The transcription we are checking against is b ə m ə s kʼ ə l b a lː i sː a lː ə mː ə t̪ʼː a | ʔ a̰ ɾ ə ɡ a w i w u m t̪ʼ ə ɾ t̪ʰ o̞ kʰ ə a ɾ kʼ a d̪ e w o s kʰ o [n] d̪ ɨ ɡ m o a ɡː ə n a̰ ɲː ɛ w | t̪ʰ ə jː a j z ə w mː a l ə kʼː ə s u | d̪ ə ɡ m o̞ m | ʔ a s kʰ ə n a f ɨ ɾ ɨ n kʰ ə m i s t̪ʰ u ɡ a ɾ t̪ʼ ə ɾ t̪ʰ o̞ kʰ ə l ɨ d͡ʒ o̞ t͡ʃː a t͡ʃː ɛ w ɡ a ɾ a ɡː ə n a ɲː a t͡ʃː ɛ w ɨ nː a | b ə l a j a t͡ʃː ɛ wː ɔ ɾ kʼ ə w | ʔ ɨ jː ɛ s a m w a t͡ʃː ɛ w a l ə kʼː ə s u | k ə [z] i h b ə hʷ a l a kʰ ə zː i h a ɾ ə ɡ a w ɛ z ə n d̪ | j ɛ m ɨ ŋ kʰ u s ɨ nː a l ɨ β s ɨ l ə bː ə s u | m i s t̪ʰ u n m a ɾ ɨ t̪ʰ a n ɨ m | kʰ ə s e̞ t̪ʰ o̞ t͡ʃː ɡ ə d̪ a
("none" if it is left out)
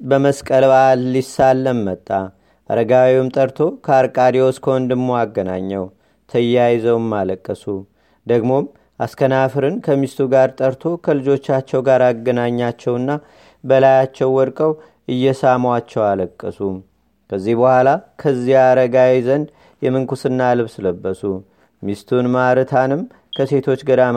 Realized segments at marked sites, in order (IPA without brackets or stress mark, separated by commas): n, zː